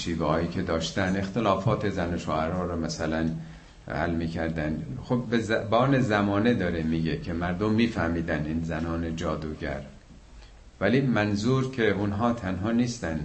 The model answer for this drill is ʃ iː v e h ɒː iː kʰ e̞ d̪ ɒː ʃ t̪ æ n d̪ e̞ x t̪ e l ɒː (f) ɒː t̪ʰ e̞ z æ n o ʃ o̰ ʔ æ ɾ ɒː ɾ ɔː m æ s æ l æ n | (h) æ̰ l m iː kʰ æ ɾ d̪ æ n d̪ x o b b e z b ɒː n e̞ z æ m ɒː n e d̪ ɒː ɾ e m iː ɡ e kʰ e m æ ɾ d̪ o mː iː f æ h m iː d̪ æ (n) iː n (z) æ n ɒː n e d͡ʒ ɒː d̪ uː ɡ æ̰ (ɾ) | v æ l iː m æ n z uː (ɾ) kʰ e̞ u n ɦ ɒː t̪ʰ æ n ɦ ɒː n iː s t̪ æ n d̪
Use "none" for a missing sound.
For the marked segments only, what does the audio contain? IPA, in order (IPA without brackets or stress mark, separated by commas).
f, h, n, z, ɾ, ɾ